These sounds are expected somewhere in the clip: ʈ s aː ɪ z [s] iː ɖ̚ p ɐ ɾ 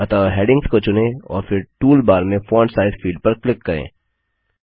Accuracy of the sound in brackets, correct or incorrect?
incorrect